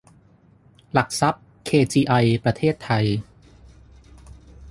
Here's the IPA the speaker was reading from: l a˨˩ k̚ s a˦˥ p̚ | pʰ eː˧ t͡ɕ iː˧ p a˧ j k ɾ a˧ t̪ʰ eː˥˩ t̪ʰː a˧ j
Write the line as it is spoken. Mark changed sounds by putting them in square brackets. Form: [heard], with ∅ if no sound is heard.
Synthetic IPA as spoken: l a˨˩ k̚ s a˦˥ p̚ | [kʰ] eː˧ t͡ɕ iː˧ [ʔ] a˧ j [p] ɾ a˧ t̪ʰ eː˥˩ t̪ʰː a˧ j